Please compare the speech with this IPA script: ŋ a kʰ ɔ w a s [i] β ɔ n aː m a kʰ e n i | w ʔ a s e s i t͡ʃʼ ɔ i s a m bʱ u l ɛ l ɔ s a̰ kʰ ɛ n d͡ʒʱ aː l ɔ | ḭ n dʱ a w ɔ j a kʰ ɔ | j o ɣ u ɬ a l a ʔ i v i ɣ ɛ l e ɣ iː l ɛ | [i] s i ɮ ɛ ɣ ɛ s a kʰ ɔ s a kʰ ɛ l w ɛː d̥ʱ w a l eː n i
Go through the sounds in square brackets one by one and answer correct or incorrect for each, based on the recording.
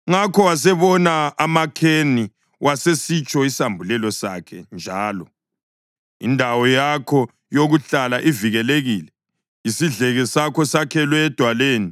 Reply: incorrect: ɛ, correct

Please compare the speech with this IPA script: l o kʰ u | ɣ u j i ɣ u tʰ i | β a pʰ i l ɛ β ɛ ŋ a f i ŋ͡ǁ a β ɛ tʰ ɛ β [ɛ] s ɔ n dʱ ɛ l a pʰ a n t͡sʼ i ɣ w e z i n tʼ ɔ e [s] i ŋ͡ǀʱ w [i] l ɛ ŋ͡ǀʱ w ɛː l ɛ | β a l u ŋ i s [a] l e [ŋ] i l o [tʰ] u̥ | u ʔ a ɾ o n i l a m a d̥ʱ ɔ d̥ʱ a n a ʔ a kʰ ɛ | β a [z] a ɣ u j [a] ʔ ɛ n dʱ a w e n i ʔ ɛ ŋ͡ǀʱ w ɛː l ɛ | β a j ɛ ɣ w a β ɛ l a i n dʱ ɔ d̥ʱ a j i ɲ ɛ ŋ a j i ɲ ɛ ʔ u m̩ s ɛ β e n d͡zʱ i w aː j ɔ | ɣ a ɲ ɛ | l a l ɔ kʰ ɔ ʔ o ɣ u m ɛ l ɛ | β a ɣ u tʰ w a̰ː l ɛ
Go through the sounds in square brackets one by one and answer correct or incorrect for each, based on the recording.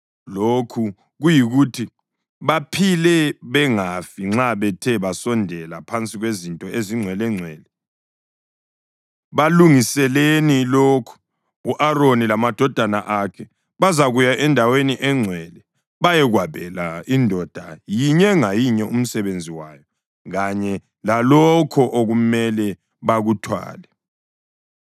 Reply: incorrect: a, incorrect: z, incorrect: ɛ, incorrect: ɛ, incorrect: n, incorrect: kʰ, correct, correct

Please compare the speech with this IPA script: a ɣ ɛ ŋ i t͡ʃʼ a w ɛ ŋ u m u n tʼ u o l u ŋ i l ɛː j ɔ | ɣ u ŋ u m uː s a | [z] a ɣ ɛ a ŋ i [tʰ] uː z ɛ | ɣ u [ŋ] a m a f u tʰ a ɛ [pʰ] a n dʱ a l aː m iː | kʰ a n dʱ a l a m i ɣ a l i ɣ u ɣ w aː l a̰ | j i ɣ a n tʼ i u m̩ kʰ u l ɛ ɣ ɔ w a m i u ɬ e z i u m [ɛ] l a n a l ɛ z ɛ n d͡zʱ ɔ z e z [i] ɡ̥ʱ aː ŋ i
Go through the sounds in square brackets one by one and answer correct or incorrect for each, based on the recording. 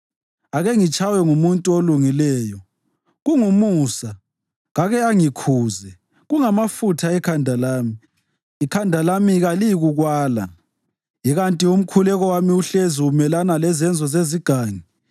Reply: incorrect: ɣ, incorrect: kʰ, correct, incorrect: kʰ, correct, correct

